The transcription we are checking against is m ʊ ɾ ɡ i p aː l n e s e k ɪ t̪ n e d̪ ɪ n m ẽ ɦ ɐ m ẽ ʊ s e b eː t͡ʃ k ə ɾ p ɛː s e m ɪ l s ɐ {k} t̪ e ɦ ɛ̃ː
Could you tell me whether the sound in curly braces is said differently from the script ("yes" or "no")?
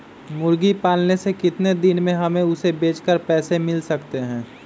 no